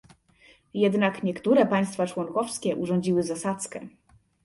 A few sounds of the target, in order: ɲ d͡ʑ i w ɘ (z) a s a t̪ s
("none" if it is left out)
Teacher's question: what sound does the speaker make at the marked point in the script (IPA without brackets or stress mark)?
z